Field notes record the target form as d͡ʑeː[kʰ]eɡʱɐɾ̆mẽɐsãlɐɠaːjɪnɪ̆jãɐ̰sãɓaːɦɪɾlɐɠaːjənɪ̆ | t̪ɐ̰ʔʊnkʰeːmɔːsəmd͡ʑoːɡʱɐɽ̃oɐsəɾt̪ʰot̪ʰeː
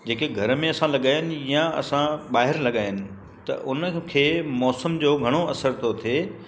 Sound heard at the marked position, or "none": k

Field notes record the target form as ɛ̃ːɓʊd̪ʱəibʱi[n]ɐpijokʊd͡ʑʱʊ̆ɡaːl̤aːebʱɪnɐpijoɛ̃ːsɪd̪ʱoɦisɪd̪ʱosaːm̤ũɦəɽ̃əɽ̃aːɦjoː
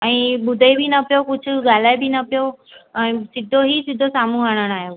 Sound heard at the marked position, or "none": n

